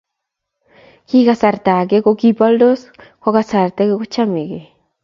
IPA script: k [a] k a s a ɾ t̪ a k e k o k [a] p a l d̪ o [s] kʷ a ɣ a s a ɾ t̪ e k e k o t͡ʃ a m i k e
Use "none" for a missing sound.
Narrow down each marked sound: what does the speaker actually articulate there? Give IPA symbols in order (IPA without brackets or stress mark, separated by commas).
i, i, s